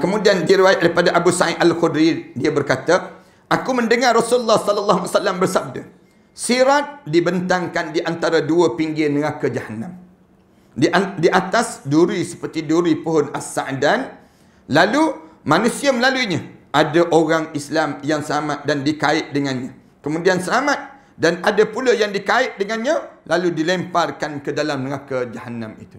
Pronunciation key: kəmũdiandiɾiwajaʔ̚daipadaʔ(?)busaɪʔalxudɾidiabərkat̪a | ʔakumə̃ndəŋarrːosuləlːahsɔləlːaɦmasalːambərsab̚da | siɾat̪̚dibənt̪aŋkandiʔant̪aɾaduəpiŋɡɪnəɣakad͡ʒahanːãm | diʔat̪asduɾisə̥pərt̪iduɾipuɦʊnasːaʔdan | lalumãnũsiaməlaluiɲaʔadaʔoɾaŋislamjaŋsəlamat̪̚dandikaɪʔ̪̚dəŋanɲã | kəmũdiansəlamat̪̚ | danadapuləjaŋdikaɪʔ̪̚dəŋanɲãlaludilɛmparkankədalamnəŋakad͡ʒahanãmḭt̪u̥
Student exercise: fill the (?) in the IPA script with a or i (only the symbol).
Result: a